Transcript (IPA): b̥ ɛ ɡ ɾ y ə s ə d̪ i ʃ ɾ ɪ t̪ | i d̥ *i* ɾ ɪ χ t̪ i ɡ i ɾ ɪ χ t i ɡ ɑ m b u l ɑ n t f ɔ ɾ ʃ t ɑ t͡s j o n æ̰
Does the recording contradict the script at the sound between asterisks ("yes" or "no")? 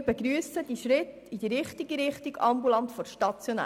no